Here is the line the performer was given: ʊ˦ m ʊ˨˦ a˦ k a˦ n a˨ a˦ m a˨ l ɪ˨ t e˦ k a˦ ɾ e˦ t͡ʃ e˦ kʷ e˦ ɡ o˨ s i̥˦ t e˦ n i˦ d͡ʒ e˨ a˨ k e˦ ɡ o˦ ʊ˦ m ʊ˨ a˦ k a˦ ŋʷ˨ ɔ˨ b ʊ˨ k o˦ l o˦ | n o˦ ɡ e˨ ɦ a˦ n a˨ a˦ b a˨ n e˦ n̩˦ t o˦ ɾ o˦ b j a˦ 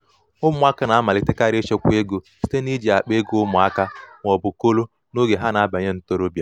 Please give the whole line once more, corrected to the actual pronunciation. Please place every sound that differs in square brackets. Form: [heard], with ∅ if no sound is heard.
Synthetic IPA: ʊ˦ m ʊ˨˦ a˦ k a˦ n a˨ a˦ m a˨ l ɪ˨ t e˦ k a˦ ɾ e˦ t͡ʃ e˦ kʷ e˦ ɡ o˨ s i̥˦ t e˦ n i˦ d͡ʒ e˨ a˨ [k͡p] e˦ ɡ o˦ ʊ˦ m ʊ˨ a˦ k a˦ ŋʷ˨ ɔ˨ b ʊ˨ k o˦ l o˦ | n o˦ ɡ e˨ ɦ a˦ n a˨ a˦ b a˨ [ɲ] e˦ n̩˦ t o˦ ɾ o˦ b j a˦